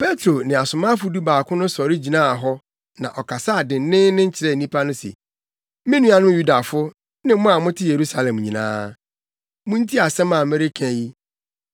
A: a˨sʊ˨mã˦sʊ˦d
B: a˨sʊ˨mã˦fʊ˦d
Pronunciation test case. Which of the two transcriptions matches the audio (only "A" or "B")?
B